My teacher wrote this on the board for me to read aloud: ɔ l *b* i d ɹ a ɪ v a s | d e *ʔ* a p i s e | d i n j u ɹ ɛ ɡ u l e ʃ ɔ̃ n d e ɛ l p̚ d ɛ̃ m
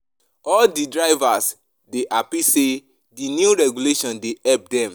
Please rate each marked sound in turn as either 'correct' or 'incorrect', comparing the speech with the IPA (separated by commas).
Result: incorrect, correct